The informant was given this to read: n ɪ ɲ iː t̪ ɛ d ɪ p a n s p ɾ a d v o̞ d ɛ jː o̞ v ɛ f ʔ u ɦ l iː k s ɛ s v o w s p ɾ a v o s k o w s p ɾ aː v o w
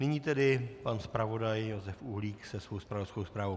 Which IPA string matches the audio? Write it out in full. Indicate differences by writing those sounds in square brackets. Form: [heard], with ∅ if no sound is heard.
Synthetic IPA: n ɪ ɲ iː t̪ ɛ d ɪ p a n s p ɾ a [∅] v o̞ d [a] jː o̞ [z] ɛ f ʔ u ɦ l iː k s ɛ s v o w s p ɾ a v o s k o w s p ɾ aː v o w